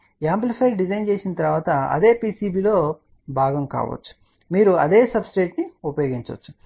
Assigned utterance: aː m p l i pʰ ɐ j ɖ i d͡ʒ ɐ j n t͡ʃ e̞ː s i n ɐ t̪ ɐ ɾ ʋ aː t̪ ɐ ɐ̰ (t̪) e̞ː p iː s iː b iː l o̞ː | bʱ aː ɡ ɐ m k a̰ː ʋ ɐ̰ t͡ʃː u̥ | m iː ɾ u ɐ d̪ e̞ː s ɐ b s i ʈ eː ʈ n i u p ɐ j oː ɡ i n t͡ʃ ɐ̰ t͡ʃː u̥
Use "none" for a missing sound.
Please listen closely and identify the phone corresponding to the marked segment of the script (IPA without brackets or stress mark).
d̪